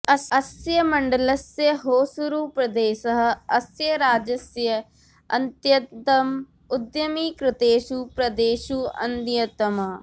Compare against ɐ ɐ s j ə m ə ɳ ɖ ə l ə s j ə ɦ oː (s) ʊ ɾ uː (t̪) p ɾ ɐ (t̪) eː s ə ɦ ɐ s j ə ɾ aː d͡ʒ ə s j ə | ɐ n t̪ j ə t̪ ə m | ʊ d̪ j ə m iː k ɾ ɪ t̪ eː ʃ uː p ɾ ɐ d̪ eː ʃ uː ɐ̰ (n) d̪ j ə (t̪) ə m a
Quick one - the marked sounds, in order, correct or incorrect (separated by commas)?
correct, incorrect, incorrect, correct, correct